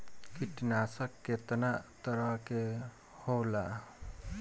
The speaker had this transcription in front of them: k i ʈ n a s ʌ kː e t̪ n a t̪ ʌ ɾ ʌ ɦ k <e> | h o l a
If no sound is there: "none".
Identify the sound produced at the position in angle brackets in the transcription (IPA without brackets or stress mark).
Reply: e